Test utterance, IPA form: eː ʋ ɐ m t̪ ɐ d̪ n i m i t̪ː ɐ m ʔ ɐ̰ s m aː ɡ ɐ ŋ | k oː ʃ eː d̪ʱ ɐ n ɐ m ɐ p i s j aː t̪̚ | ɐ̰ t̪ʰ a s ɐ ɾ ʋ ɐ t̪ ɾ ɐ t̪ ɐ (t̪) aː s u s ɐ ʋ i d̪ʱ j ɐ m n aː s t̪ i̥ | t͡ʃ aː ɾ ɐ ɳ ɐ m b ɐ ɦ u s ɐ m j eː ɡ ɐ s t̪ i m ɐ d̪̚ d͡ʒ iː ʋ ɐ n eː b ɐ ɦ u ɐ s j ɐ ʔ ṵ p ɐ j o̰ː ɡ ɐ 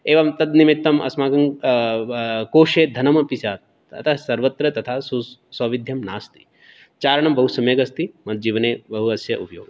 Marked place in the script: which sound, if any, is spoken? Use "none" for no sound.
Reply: t̪ʰ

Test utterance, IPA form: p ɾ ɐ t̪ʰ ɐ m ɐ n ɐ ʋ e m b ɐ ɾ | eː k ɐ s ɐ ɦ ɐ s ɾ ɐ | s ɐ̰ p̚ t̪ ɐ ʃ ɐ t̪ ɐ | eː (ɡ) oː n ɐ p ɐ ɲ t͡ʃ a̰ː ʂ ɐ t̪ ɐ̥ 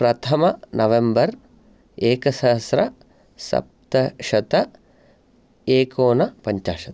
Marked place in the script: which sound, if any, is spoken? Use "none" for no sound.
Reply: k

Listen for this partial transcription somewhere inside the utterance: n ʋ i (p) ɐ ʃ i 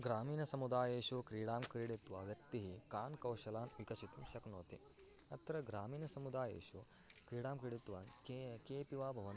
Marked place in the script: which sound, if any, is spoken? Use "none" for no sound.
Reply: k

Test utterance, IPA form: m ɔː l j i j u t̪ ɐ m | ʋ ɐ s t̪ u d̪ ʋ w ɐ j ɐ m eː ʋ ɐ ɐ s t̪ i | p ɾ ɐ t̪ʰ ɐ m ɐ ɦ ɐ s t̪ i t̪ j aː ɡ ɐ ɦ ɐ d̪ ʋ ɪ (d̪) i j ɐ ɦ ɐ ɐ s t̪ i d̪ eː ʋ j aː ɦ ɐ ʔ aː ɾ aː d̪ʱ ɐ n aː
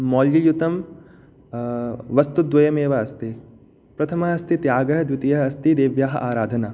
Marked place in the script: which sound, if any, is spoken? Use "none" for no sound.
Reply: t̪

